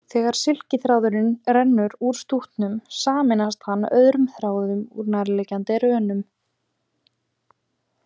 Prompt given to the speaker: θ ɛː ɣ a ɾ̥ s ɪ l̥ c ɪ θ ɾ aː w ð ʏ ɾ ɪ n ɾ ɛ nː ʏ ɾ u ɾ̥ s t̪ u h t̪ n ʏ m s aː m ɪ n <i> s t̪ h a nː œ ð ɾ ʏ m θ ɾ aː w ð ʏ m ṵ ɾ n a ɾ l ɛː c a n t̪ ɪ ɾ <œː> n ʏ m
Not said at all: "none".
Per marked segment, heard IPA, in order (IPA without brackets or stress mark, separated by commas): a, œː